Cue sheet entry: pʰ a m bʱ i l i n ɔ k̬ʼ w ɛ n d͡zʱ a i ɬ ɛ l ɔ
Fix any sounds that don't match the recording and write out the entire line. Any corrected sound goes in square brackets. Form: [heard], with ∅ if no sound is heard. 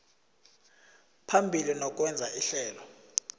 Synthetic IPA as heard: pʰ a m bʱ i l i n ɔ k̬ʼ w ɛ n d͡zʱ a i ɬ [ɛː] l ɔ